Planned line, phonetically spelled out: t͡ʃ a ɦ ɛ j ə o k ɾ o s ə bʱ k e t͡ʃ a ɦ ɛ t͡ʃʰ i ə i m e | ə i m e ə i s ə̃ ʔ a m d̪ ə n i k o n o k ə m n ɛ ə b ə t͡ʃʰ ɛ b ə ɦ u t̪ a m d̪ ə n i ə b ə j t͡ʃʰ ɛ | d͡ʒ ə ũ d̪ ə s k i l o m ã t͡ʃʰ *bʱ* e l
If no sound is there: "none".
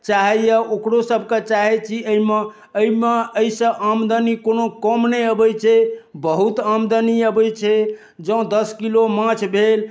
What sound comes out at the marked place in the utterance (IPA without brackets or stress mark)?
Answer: bʱ